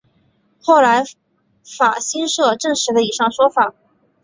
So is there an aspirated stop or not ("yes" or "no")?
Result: no